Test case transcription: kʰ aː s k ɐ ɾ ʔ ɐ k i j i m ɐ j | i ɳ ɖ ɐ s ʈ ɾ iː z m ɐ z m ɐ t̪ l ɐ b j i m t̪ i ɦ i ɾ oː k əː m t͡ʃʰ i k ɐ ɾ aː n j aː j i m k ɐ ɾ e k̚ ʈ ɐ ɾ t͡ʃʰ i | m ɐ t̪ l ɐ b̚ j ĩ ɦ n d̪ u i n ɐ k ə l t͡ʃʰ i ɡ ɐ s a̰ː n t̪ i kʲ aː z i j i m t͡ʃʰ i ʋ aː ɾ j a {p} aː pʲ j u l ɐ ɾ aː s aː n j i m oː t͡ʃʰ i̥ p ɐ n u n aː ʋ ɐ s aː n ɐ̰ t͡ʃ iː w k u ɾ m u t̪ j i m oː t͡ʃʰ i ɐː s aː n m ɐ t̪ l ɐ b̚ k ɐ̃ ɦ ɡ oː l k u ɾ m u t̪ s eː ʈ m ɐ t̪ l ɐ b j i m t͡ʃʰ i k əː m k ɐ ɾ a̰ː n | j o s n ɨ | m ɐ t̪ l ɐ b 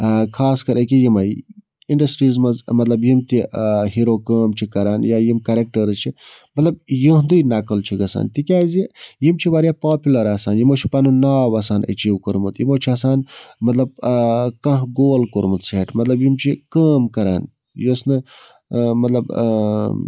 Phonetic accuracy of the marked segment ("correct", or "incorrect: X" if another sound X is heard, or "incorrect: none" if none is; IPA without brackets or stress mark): correct